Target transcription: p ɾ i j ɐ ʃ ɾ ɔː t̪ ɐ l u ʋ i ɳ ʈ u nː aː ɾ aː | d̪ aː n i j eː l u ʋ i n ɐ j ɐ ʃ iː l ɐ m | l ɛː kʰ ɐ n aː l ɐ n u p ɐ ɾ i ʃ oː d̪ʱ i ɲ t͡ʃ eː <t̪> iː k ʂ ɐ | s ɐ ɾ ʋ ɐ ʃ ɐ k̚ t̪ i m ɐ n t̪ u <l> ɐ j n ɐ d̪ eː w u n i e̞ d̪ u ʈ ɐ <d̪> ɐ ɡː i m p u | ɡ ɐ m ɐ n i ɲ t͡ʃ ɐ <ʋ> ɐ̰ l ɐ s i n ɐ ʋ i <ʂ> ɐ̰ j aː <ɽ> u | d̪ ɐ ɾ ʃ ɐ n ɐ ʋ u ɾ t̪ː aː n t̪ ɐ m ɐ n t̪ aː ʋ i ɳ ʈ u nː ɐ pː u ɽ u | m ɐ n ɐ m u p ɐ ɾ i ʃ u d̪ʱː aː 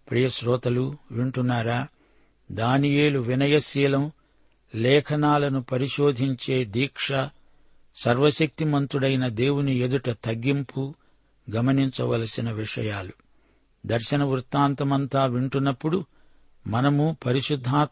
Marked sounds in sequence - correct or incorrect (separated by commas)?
incorrect, incorrect, incorrect, correct, correct, incorrect